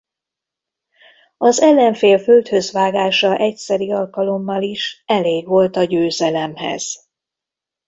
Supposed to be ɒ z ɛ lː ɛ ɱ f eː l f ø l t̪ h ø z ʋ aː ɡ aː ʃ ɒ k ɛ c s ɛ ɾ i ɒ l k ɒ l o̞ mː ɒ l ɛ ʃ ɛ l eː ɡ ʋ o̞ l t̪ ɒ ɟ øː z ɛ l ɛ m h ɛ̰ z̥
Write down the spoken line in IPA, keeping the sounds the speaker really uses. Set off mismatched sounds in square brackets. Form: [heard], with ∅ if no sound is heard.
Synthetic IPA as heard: ɒ z ɛ lː ɛ ɱ f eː l f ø l t̪ h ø z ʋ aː ɡ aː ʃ ɒ [ʔ] ɛ c s ɛ ɾ i ɒ l k ɒ l o̞ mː ɒ l [i] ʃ ɛ l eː ɡ ʋ o̞ l t̪ ɒ ɟ øː z ɛ l ɛ m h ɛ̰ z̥